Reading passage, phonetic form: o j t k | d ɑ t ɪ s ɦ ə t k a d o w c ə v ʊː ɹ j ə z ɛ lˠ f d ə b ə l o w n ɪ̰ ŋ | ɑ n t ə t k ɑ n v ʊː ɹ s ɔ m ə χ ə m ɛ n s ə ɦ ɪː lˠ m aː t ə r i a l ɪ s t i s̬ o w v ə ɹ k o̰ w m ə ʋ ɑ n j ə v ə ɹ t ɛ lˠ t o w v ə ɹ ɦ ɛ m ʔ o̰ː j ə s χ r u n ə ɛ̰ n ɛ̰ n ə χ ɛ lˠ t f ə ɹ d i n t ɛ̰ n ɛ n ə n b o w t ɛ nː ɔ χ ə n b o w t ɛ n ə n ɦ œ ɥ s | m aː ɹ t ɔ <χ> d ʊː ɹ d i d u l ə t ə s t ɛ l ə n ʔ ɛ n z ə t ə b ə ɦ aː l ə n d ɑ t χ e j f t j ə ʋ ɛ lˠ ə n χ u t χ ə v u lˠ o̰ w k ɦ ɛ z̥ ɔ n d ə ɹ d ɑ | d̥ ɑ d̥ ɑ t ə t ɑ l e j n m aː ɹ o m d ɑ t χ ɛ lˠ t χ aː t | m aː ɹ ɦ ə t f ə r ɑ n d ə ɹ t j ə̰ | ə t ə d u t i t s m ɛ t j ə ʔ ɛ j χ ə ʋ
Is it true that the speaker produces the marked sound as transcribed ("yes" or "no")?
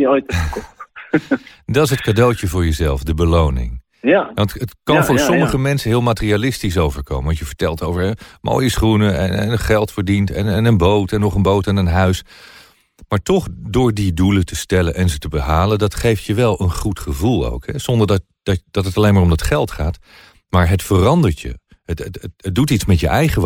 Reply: yes